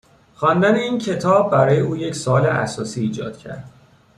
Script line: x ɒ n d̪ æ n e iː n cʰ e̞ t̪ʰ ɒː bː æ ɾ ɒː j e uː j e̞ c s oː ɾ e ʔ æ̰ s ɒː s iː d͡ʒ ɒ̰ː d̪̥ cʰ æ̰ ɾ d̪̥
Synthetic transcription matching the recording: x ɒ n d̪ æ n e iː n cʰ e̞ t̪ʰ ɒː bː æ ɾ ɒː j e uː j e̞ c s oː l e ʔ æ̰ s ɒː s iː d͡ʒ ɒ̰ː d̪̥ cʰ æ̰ ɾ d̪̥